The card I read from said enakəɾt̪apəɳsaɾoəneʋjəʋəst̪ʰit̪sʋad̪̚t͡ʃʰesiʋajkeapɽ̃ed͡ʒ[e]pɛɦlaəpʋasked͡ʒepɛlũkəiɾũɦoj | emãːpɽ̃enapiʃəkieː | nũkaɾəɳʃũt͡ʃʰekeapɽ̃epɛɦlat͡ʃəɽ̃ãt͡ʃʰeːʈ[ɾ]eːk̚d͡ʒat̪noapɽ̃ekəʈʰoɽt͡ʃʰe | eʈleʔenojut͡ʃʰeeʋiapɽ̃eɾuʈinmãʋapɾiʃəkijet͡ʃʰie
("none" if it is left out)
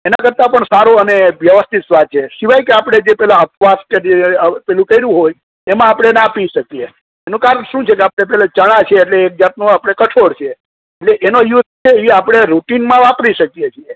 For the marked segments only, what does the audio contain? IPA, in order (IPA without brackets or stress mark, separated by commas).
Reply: e, l